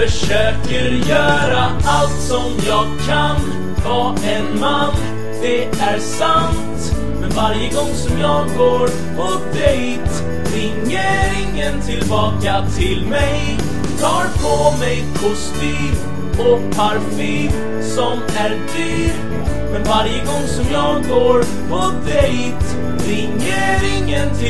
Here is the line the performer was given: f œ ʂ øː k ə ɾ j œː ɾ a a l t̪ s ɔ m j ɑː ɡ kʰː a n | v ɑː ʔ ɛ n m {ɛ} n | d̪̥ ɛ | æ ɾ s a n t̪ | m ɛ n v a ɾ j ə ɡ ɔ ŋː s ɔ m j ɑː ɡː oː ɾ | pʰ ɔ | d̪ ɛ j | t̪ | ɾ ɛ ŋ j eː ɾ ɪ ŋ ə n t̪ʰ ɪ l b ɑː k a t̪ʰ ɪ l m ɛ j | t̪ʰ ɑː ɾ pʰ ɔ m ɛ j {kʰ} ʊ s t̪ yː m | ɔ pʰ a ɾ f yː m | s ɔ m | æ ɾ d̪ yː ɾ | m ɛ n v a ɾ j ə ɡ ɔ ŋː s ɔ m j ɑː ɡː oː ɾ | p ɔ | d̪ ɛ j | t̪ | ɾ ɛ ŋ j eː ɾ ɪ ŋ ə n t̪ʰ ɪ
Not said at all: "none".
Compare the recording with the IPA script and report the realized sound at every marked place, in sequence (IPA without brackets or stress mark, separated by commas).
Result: a, kʰ